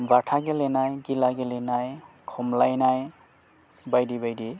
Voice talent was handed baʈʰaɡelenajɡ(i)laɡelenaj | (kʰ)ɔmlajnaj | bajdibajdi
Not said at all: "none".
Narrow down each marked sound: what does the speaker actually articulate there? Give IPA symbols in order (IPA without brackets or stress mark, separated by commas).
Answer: i, kʰ